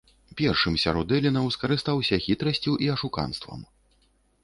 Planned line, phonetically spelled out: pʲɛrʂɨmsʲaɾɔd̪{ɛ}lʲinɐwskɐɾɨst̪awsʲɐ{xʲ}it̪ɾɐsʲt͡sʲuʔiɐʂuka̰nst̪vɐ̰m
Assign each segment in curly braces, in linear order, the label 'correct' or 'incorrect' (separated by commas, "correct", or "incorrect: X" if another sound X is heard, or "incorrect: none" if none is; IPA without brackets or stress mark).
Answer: correct, correct